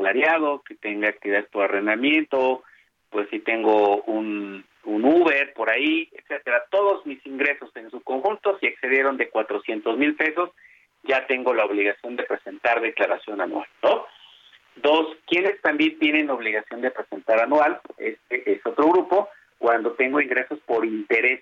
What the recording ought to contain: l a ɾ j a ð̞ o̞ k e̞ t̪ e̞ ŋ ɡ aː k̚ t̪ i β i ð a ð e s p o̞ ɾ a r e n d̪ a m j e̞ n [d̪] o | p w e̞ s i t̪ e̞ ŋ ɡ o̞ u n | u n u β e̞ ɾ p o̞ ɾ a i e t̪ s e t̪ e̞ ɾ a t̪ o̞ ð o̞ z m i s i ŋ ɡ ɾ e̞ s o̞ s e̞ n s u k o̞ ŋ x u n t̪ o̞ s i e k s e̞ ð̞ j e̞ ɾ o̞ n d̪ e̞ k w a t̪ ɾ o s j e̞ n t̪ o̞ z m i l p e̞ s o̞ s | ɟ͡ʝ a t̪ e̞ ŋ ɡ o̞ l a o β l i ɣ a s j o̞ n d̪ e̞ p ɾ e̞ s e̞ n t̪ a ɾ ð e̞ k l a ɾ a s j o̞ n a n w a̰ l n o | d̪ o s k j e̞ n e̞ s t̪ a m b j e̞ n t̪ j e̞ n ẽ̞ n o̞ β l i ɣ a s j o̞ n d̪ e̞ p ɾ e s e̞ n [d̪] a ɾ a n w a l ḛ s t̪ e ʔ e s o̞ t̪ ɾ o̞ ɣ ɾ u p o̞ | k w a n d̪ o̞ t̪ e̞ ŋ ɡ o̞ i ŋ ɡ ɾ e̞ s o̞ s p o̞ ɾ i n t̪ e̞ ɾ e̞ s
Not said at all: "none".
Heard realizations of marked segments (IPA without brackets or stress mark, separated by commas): t̪, t̪